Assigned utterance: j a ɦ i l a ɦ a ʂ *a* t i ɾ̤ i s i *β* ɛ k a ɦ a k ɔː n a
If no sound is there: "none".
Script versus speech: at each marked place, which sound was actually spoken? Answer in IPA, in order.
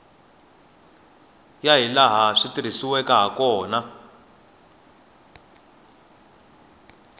i, w

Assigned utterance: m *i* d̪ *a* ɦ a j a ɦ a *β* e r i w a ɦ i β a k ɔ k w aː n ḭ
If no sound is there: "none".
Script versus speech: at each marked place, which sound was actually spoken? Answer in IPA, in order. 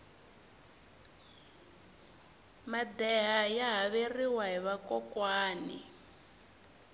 a, ɛ, β

